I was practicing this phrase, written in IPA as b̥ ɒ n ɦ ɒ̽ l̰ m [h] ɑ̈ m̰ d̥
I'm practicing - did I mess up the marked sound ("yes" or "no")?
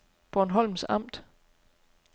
yes